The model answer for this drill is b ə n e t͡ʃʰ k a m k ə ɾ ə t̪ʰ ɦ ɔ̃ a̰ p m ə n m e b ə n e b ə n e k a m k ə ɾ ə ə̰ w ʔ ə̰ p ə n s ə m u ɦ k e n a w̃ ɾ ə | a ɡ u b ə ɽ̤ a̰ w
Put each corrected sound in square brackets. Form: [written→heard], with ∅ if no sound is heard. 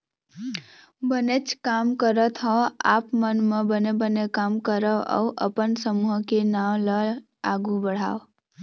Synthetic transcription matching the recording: b ə n e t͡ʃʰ k a m k ə ɾ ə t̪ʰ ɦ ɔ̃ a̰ p m ə n m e b ə n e b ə n e k a m k ə ɾ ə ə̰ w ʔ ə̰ p ə n s ə m u ɦ k e n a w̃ [ɾ→l] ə | a ɡ u b ə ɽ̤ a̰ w